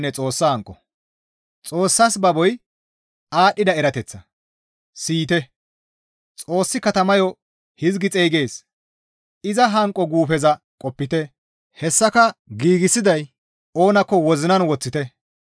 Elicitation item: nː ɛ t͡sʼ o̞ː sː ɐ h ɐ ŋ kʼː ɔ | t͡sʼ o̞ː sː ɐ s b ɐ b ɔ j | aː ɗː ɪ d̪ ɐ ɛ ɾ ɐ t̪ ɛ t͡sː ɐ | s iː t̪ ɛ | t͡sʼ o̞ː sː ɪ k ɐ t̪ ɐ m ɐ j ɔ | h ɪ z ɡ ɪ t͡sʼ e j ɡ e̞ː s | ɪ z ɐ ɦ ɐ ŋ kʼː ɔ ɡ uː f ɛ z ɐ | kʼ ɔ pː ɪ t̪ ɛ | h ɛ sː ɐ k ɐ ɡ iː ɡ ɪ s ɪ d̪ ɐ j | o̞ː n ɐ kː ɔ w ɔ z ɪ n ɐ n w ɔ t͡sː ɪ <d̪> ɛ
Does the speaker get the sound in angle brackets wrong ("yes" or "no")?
yes